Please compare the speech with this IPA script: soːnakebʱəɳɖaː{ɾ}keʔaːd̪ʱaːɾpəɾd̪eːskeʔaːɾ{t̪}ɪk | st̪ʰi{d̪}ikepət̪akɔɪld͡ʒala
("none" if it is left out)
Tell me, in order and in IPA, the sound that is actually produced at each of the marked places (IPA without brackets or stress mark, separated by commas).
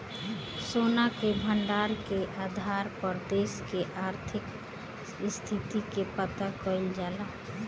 ɾ, t̪ʰ, t̪